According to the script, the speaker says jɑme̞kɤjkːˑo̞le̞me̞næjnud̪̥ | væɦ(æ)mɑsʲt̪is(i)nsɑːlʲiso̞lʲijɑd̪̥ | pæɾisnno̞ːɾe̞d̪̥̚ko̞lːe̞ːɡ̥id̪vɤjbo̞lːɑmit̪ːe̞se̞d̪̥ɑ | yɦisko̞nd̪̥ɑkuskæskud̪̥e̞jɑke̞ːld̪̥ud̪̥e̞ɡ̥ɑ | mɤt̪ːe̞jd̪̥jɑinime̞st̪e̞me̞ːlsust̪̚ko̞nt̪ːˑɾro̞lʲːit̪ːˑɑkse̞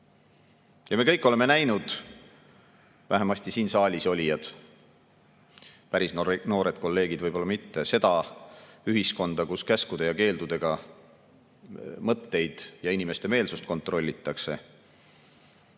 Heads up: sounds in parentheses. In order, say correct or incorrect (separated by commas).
incorrect, incorrect